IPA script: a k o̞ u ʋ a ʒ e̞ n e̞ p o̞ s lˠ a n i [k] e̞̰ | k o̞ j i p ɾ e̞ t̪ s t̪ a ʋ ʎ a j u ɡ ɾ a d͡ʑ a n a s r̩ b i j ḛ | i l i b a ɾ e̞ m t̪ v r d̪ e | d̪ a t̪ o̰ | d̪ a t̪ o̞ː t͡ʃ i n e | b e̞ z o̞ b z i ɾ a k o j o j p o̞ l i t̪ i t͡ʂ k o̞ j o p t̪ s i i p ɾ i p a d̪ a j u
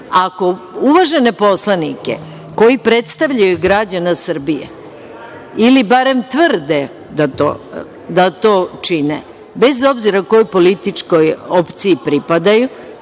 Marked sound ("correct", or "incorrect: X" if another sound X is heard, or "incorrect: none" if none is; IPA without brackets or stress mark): correct